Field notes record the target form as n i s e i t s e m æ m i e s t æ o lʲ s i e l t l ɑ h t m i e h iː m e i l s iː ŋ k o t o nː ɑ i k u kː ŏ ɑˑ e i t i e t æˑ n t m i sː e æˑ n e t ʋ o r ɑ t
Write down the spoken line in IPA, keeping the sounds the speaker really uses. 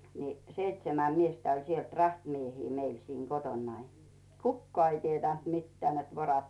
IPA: n i s e i t s e m æ m i e s t æ o lʲ s i e l t r ɑ h t m i e h iː m e i l s iː ŋ k o t o nː ɑ i k u kː ŏ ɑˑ e i t i e t æˑ n t m i tː e æˑ n e t ʋ o r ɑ t

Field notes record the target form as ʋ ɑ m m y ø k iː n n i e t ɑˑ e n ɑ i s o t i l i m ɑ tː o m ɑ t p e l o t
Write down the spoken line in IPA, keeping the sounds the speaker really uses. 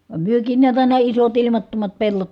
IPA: ʋ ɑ m m y ø k iː n n i æ t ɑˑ i n ɑ i s o t i l i m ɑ tː o m ɑ t p e lː o t

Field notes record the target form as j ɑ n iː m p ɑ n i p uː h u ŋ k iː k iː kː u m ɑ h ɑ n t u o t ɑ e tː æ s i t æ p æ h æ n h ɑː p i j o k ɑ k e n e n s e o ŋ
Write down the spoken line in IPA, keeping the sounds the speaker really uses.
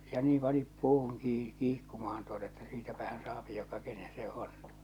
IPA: j ɑ n iː m p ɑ n i p uː h u ŋ k iː k iː kː u m ɑ h ɑ n t u o t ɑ e tː æ s iː t æ p æ h æ n s ɑː p i j o k ɑ k e n e n s e o n

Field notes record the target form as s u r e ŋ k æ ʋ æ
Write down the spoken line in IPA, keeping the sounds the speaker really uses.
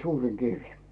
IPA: s uː r i ŋ k i ʋ i

